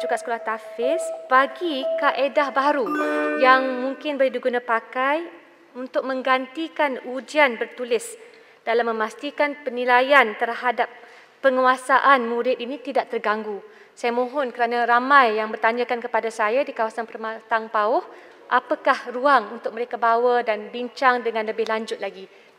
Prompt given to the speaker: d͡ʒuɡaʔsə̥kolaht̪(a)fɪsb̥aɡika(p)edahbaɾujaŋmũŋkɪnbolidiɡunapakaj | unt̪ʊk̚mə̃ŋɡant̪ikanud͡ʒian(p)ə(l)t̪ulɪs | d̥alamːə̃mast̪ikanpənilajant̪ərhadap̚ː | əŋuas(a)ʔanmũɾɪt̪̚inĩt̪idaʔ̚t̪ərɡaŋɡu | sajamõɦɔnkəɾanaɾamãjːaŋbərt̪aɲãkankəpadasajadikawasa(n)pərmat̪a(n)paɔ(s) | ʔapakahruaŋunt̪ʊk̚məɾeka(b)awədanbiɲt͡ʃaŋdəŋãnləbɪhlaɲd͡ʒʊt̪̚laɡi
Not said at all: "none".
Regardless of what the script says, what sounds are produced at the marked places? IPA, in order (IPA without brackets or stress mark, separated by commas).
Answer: a, ʔ, b, r, a, n, ŋ, h, b